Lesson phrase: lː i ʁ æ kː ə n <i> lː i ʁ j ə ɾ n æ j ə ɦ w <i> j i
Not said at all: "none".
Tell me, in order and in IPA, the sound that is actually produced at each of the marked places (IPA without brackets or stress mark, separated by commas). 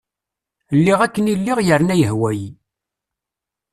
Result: i, æ